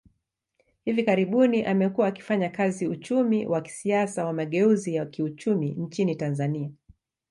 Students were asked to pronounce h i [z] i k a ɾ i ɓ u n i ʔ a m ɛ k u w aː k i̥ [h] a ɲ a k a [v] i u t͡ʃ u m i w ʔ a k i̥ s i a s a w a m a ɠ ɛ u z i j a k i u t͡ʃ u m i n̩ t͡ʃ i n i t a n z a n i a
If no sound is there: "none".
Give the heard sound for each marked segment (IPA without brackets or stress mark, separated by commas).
v, f, z